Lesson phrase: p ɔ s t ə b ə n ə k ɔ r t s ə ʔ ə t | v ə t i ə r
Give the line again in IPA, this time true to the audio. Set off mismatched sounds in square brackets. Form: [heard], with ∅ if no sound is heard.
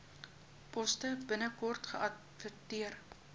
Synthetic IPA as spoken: p ɔ s t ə b ə n ə k ɔ r t [χ] ə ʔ [ɐ] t | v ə t i ə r